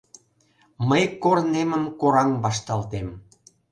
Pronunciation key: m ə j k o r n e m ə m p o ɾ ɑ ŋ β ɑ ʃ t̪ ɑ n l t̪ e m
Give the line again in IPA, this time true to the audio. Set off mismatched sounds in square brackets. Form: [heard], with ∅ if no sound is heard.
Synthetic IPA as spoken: m ə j k o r n e m ə m [k] o ɾ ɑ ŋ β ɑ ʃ t̪ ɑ [∅] l t̪ e m